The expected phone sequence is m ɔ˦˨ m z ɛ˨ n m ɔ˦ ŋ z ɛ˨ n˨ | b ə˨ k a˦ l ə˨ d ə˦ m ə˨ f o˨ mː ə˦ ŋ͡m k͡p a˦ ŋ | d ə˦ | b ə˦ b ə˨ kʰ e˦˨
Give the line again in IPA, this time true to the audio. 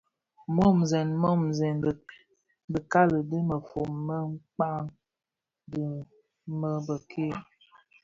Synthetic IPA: m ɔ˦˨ m z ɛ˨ n m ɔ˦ m z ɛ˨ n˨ | b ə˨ k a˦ l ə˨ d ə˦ m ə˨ f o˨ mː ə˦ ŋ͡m k͡p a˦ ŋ | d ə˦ | m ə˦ b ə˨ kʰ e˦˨